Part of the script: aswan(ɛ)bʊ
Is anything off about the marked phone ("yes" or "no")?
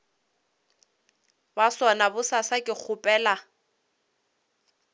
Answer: yes